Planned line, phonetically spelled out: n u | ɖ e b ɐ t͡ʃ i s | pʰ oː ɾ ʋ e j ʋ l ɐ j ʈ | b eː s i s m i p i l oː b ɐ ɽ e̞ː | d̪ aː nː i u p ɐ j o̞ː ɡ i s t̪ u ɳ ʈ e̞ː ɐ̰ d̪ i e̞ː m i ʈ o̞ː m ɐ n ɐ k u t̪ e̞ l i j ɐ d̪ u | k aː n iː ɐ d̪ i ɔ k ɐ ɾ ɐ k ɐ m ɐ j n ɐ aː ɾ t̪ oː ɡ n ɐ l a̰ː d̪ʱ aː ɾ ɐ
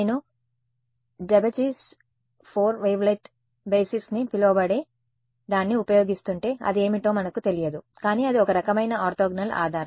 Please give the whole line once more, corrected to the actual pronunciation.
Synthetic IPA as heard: n u | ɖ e b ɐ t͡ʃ i s | pʰ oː ɾ ʋ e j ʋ l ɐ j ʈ | b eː s i s n i p i l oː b ɐ ɽ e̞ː | d̪ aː nː i u p ɐ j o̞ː ɡ i s t̪ u ɳ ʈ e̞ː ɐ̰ d̪ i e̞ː m i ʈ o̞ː m ɐ n ɐ k u t̪ e̞ l i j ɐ d̪ u | k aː n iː ɐ d̪ i ɔ k ɐ ɾ ɐ k ɐ m ɐ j n ɐ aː ɾ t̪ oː ɡ n ɐ l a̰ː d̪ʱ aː ɾ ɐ

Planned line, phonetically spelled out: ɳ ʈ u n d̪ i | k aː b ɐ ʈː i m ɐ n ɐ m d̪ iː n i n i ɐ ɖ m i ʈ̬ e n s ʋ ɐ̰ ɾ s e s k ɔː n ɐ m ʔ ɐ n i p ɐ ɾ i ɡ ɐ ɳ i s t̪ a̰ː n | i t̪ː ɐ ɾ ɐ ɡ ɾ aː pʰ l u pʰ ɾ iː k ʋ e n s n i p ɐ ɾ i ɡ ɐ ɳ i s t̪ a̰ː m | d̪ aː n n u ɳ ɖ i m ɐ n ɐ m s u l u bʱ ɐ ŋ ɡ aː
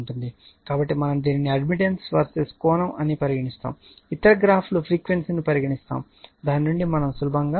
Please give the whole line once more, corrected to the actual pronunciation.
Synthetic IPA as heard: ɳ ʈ u n d̪ i | k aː b ɐ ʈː i m ɐ n ɐ m d̪ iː n i n i ɐ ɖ m i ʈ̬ e n s ʋ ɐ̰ ɾ s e s k ɔː n ɐ m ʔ ɐ n i p ɐ ɾ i ɡ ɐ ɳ i s t̪ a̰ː m | i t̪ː ɐ ɾ ɐ ɡ ɾ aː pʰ l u pʰ ɾ iː k ʋ e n s n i p ɐ ɾ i ɡ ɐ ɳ i s t̪ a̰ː m | d̪ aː n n u ɳ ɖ i m ɐ n ɐ m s u l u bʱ ɐ ŋ ɡ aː

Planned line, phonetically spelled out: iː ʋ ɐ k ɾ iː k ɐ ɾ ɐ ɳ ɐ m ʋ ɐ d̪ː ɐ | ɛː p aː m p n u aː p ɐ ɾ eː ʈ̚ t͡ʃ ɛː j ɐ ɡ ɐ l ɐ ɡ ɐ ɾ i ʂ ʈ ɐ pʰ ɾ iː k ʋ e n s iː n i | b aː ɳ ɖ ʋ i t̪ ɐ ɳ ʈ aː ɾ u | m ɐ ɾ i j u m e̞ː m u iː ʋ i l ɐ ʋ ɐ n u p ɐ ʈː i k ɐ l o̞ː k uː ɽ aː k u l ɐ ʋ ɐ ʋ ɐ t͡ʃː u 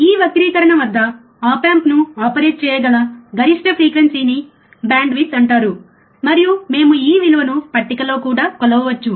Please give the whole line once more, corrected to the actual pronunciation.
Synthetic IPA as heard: iː ʋ ɐ k ɾ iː k ɐ ɾ ɐ ɳ ɐ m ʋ ɐ d̪ː ɐ | aː p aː m p n u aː p ɐ ɾ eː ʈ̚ t͡ʃ ɛː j ɐ ɡ ɐ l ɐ ɡ ɐ ɾ i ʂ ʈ ɐ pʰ ɾ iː k ʋ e n s iː n i | b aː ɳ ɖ ʋ i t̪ ɐ ɳ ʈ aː ɾ u | m ɐ ɾ i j u m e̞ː m u iː ʋ i l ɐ ʋ ɐ n u p ɐ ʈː i k ɐ l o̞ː k uː ɽ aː k ɔ l ɐ ʋ ɐ ʋ ɐ t͡ʃː u

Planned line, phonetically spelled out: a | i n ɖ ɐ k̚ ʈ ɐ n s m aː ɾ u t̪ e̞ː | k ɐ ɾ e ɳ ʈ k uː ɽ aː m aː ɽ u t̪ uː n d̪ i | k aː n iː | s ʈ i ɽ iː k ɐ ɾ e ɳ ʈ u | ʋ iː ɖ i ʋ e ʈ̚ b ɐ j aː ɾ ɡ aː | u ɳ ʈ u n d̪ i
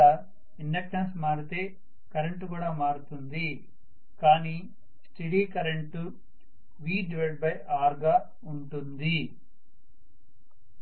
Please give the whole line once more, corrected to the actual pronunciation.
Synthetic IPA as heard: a | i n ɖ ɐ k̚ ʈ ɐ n s m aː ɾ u t̪ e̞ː | k ɐ ɾ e ɳ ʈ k uː ɽ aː m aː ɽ u t̪ u n d̪ i | k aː n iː | s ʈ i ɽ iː k ɐ ɾ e ɳ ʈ u | ʋ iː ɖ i ʋ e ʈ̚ b ɐ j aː ɾ ɡ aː | u ɳ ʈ u n d̪ i

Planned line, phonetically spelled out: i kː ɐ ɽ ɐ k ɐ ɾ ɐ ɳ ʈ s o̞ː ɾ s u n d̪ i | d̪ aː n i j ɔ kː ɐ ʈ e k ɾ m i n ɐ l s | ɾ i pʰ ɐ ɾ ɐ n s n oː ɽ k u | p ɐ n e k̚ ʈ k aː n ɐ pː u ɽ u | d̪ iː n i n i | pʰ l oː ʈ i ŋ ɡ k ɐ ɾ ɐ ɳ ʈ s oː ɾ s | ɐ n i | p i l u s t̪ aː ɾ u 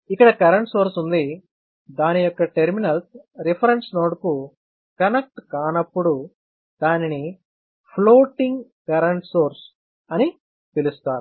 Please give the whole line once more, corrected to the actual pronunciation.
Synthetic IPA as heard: i kː ɐ ɽ ɐ k ɐ ɾ ɐ ɳ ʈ s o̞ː ɾ s u n d̪ i | d̪ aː n i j ɔ kː ɐ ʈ e ɾ m i n ɐ l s | ɾ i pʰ ɐ ɾ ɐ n s n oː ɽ k u | k ɐ n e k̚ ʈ k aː n ɐ pː u ɽ u | d̪ aː n i n i | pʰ l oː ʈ i ŋ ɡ k ɐ ɾ ɐ ɳ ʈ s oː ɾ s | ɐ n i | p i l u s t̪ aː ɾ u

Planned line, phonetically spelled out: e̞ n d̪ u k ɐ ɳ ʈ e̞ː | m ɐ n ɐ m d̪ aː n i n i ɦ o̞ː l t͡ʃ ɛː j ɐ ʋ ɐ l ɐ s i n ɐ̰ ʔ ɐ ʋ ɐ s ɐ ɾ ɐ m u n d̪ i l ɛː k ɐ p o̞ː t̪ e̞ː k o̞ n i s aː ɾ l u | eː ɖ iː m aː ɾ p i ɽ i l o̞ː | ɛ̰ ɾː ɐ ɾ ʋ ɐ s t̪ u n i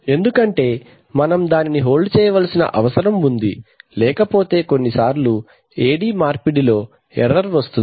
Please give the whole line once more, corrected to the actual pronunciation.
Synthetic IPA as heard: e̞ n d̪ u k ɐ ɳ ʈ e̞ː | m ɐ n ɐ m d̪ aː n i n i ɦ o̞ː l t͡ʃ ɛː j ɐ ʋ ɐ l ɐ s i n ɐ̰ ʔ ɐ ʋ ɐ s ɐ ɾ ɐ m u n d̪ i l ɛː k ɐ p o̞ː t̪ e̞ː k o̞ nː i s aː ɾ l u | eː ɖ iː m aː ɾ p i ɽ i l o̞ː | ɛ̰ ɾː ɐ ɾ ʋ ɐ s t̪ u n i

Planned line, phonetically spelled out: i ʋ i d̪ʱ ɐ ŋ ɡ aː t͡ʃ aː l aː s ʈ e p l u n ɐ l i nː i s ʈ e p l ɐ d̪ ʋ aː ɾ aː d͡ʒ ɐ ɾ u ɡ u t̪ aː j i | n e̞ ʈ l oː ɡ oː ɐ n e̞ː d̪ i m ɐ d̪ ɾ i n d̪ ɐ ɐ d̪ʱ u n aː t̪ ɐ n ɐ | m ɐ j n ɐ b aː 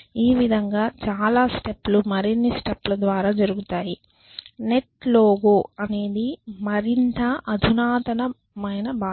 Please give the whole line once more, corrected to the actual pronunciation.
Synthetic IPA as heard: iː ʋ i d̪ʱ ɐ ŋ ɡ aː t͡ʃ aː l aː s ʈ e p l u m ɐ ɾ i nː i s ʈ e p l ɐ d̪ ʋ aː ɾ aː d͡ʒ ɐ ɾ u ɡ u t̪ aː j i | n e̞ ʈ l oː ɡ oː ɐ n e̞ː d̪ i m ɐ ɾ i n t̪ ɐ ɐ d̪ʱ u n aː t̪ ɐ n ɐ | m ɐ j n ɐ b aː

